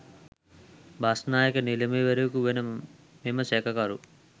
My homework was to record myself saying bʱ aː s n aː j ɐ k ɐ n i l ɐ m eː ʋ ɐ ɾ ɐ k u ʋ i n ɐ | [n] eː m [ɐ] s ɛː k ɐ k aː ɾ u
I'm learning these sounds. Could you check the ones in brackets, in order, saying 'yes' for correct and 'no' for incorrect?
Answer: no, yes

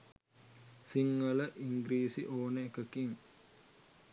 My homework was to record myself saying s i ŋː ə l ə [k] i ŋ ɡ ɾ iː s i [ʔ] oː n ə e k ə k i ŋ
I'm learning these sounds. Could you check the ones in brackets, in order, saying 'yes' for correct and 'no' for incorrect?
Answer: no, yes

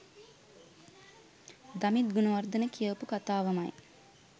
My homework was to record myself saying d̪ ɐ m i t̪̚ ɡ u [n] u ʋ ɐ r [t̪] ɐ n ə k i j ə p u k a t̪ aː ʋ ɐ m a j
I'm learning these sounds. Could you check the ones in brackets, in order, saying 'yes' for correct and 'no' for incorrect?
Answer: yes, no

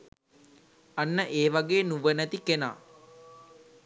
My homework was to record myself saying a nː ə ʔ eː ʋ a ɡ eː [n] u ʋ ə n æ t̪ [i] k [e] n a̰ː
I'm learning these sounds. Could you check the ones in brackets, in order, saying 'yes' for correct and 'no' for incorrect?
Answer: yes, yes, yes

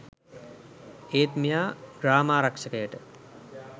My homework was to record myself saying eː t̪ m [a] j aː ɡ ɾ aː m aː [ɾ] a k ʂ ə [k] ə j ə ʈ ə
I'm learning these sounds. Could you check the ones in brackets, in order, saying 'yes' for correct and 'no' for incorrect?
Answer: no, yes, yes

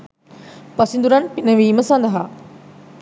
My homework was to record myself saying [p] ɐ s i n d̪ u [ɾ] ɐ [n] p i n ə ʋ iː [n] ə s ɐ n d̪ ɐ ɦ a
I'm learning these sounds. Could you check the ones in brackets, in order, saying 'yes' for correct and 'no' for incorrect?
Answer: yes, yes, yes, no

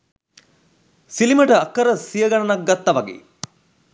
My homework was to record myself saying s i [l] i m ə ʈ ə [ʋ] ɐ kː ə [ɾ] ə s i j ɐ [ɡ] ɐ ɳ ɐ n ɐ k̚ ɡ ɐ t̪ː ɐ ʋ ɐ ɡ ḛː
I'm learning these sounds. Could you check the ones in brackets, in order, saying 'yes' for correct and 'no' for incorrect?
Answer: yes, no, yes, yes

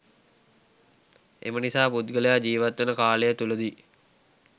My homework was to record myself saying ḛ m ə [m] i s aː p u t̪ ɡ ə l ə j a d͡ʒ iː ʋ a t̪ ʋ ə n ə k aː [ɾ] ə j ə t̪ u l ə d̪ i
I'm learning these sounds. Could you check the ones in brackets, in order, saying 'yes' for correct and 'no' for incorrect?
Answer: no, no

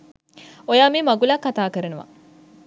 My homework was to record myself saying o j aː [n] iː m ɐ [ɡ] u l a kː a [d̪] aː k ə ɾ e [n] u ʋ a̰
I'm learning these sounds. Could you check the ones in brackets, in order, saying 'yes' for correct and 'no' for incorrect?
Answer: no, yes, no, yes

